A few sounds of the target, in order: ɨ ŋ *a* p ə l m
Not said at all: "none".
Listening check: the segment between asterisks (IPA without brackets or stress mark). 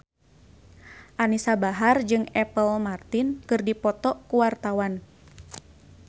ɛ